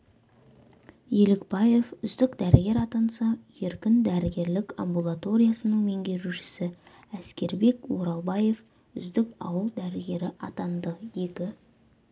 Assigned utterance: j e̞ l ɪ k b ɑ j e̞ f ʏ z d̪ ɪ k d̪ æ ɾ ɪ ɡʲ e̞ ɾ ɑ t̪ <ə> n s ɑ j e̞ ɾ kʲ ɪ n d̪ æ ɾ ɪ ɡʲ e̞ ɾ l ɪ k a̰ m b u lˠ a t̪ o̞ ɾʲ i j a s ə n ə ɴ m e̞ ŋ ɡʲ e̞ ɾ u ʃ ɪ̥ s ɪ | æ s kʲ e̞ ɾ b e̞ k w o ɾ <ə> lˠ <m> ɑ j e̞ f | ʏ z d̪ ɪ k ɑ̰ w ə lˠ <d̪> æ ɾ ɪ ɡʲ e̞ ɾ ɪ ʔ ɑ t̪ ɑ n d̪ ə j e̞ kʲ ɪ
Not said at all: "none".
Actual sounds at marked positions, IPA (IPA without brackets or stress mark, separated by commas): ɑ, ɑ, b, d̪